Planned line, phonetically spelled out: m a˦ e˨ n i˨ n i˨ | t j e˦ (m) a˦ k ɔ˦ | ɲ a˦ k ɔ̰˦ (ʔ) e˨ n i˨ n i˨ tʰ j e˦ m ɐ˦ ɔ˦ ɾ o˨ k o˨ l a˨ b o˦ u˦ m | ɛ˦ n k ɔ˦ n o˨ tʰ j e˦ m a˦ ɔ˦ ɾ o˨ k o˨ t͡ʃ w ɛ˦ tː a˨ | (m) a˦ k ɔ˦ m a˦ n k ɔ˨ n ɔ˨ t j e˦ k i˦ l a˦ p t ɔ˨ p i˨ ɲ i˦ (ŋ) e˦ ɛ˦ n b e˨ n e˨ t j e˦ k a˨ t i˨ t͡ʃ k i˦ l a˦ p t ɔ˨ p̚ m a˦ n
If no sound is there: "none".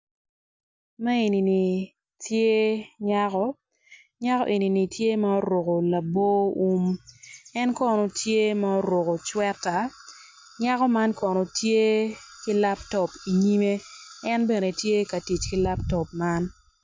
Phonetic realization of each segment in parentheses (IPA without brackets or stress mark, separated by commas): ɲ, ʔ, ɲ, m